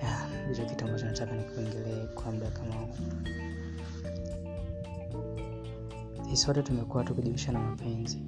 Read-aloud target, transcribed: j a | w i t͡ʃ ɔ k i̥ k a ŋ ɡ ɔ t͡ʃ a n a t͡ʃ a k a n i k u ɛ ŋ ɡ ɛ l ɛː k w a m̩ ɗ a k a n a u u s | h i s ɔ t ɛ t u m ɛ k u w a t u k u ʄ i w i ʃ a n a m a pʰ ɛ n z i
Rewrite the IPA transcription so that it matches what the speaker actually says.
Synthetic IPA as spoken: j a | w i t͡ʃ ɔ k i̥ t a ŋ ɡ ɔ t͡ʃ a n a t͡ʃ a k a n i k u ɛ ŋ ɡ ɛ l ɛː k w a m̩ ɗ a k a m a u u | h i s ɔ t ɛ t u m ɛ k u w a t u k u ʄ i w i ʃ a n a m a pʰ ɛ n z i